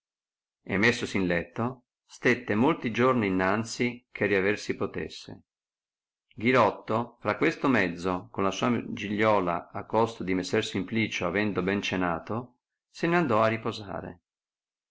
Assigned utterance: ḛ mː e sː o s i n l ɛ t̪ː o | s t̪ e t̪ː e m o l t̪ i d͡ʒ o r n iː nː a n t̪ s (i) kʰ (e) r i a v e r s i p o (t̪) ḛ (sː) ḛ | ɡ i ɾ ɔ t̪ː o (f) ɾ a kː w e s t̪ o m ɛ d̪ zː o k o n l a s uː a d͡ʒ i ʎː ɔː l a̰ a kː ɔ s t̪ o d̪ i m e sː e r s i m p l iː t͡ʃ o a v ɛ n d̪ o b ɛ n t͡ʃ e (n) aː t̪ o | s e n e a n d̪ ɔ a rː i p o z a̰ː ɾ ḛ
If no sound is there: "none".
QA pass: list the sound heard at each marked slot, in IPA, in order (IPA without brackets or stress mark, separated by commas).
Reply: i, e, t̪, sː, f, n